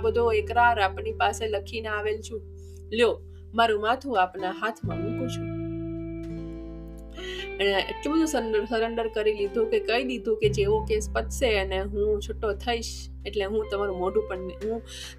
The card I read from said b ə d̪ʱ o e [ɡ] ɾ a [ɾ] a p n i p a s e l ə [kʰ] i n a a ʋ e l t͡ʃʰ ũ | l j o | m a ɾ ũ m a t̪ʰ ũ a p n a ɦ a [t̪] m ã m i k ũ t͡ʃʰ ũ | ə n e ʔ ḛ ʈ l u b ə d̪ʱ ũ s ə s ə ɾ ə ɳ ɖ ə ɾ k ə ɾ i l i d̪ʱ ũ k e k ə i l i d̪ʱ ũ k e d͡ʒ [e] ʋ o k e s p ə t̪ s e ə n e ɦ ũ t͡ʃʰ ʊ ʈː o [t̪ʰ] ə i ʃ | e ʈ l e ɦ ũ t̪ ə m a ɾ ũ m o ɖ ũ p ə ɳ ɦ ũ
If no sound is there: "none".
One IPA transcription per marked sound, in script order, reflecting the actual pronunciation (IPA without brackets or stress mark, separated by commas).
k, ɾ, kʰ, t̪ʰ, e, t̪ʰ